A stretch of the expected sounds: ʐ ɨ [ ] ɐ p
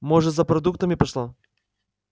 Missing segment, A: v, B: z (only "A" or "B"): B